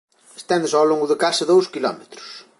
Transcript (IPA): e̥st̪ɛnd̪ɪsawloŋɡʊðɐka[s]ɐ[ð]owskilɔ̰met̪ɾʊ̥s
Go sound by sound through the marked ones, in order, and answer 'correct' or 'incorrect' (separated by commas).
correct, correct